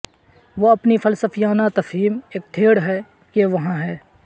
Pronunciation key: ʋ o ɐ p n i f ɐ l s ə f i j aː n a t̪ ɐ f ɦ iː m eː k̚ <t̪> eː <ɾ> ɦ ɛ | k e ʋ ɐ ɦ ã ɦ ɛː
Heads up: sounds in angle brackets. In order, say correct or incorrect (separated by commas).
incorrect, incorrect